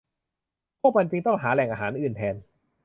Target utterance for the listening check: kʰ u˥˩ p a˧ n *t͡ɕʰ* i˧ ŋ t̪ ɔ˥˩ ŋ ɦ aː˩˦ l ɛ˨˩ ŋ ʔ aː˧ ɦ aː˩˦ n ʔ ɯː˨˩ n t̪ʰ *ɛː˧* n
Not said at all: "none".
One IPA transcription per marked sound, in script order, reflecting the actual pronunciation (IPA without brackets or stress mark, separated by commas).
t͡ɕ, ɛː˧